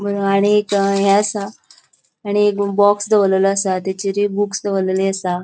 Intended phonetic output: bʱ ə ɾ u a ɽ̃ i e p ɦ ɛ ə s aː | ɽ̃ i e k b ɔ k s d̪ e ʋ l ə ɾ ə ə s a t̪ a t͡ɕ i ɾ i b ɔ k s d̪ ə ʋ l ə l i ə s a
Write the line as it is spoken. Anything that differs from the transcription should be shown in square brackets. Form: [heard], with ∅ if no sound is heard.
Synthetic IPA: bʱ ə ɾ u a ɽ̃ i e [k] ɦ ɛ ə s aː | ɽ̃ i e k b ɔ k s d̪ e ʋ l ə [l] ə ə s a t̪ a t͡ɕ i ɾ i b [u] k s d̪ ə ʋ l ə l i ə s a